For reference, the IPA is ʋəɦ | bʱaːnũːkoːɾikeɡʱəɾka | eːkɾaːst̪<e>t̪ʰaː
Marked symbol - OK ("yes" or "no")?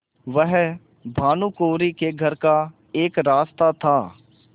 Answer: no